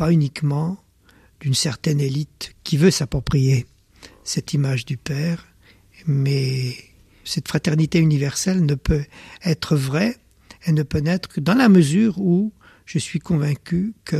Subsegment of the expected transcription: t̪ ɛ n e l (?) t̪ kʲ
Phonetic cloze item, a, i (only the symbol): i